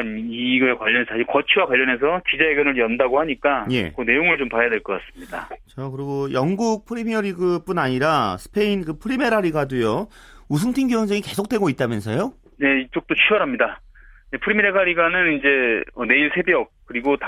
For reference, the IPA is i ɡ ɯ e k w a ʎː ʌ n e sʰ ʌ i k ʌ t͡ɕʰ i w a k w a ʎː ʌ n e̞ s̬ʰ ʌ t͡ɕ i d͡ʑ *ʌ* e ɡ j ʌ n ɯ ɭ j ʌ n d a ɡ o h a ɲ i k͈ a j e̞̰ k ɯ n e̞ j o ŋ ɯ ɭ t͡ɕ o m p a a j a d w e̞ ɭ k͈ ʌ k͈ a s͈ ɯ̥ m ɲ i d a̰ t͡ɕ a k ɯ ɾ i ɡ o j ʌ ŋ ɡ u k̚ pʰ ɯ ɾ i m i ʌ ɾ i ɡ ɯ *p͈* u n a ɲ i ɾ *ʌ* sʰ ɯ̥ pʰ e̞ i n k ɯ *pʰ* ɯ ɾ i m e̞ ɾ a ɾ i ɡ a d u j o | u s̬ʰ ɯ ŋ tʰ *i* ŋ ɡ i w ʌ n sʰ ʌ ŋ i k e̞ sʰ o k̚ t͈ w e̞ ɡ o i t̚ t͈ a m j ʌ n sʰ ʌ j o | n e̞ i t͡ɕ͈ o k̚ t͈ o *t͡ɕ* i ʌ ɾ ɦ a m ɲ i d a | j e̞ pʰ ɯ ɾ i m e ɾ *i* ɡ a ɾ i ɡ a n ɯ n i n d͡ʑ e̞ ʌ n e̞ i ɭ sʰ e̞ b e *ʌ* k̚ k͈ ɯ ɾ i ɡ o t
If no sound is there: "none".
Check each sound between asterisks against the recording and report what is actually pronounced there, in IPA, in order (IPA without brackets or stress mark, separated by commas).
a, p͈, a, pʰ, i, t͡ɕʰ, e, ʌ